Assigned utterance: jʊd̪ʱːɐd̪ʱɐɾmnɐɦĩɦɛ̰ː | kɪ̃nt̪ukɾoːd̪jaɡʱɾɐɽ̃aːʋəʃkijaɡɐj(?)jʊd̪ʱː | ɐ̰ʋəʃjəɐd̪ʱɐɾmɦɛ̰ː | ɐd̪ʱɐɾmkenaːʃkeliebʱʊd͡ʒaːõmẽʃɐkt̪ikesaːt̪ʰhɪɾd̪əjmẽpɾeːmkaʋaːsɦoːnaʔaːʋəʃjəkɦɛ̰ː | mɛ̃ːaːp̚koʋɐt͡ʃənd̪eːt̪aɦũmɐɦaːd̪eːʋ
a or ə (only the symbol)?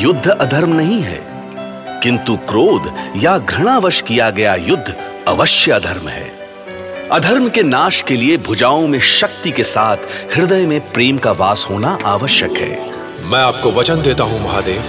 a